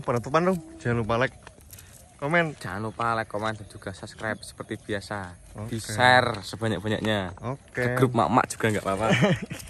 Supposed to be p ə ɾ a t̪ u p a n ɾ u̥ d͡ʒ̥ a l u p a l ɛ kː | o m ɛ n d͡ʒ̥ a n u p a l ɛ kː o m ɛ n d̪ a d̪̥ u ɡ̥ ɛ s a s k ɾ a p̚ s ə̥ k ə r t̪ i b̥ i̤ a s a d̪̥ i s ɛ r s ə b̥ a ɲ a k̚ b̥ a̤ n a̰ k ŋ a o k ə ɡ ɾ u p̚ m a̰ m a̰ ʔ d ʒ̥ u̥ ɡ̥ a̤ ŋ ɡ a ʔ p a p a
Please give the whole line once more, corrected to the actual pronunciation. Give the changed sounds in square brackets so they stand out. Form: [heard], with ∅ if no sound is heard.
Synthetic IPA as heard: p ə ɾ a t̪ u p a n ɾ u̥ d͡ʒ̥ a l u p a l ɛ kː | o m ɛ n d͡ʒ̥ a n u p a l ɛ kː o m ɛ n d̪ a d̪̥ u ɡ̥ [a] s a s k ɾ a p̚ s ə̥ [p] ə r t̪ i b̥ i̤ a s a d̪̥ i s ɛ r s ə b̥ a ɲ a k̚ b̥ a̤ [ɲ] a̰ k [ɲ] a o k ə ɡ ɾ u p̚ m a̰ m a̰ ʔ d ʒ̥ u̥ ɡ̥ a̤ ŋ ɡ a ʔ p a p a